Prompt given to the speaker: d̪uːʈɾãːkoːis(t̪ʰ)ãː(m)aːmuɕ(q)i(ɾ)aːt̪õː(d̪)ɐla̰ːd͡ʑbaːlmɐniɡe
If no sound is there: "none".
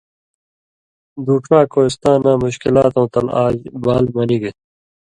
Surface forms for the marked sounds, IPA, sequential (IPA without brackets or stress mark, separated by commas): t̪, n, k, l, t̪